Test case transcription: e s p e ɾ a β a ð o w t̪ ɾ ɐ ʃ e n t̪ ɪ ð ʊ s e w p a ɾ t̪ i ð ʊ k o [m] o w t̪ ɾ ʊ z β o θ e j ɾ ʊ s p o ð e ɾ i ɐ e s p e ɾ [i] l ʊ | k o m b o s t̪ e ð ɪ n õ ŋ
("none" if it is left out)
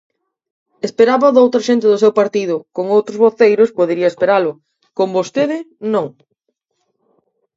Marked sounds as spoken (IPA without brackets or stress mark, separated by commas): ŋ, a